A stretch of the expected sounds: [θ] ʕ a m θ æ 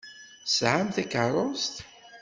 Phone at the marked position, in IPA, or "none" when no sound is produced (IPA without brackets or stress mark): s